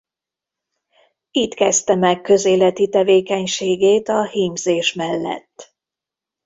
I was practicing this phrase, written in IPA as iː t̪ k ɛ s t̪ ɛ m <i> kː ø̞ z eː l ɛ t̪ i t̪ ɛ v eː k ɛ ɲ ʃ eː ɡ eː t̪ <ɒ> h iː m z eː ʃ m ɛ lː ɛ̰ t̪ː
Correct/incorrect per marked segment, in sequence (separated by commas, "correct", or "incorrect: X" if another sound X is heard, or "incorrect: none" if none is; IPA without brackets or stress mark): incorrect: ɛ, correct